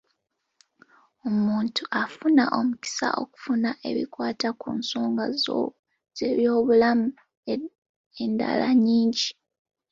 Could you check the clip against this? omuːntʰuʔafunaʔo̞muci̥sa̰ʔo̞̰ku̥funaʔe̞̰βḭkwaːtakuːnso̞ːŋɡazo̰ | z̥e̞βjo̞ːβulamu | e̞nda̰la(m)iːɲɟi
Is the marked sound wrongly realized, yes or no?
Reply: yes